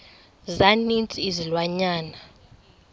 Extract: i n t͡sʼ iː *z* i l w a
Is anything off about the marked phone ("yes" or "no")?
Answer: no